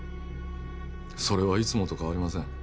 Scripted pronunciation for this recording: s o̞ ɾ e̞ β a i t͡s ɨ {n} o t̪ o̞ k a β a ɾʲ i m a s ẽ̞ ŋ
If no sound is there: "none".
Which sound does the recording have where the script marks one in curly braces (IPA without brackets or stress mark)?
m